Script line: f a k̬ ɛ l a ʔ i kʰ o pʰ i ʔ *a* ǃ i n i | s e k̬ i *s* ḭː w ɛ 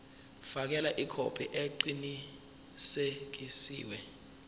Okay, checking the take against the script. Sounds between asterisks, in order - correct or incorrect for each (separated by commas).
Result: incorrect, correct